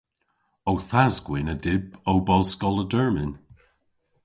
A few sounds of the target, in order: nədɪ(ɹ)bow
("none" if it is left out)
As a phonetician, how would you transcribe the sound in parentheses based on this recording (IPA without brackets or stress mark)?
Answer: none